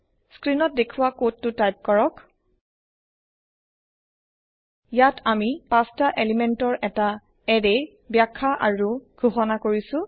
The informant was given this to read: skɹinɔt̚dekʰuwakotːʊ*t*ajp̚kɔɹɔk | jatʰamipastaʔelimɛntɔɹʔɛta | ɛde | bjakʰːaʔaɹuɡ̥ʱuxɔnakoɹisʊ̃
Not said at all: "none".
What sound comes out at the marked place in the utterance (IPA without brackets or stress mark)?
t